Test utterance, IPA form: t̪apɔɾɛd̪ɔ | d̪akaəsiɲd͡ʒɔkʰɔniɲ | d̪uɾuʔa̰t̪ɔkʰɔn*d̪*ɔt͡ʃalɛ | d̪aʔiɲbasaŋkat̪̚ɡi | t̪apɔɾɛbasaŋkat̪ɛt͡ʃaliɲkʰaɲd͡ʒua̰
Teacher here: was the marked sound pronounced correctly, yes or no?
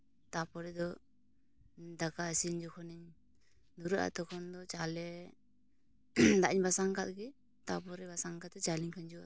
yes